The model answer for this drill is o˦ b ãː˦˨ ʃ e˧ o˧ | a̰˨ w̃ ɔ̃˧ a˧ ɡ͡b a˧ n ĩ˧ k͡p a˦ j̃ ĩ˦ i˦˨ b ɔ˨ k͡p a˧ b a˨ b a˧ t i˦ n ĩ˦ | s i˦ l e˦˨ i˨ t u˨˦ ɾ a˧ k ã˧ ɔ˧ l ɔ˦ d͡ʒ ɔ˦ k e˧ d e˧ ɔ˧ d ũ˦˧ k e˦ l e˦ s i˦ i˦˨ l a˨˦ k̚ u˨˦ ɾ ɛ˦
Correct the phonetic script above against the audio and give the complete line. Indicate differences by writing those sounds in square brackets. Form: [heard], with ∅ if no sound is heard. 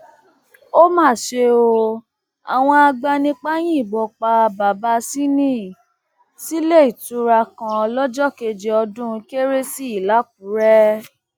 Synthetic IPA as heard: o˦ [m] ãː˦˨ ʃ e˧ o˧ | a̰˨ w̃ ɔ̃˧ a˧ ɡ͡b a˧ n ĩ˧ k͡p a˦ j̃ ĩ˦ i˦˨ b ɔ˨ k͡p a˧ b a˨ b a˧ [s] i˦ n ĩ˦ | s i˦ l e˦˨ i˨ t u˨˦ ɾ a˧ k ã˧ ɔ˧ l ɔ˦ d͡ʒ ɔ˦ k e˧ [d͡ʒ] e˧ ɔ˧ d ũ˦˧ k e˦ [ɾ] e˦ s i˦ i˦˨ l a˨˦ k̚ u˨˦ ɾ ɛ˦